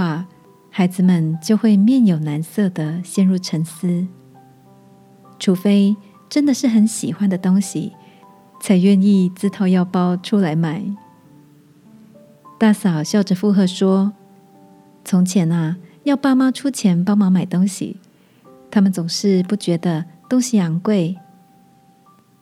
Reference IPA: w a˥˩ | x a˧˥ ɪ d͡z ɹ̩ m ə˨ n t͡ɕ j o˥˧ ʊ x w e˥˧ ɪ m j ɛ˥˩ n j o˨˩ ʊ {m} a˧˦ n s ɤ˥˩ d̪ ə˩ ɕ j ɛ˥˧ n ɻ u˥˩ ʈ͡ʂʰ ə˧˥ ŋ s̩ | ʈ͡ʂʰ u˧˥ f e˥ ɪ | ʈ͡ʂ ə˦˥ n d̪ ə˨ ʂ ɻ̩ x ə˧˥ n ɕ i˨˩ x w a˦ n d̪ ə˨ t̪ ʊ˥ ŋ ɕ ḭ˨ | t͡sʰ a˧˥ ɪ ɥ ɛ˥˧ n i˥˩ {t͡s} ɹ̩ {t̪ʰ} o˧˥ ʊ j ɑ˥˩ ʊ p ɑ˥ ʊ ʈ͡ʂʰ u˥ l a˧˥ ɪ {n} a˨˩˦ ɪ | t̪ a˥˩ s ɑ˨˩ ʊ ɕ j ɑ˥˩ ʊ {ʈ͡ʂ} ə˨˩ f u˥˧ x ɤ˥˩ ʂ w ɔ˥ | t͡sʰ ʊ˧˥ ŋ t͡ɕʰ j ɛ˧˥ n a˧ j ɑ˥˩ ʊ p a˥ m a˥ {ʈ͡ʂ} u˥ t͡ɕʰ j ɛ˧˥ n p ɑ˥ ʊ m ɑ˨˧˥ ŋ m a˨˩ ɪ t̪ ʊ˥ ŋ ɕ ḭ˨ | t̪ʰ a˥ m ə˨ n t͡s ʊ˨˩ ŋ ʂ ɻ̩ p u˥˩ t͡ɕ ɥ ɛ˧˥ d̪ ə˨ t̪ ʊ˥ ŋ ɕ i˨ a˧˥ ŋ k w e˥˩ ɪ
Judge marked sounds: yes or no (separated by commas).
no, yes, yes, no, yes, no